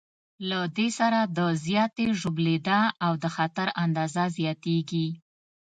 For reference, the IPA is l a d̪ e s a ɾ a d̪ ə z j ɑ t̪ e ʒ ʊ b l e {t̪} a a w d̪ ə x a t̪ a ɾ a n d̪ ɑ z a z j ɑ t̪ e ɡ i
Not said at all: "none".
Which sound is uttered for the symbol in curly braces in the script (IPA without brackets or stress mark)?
d̪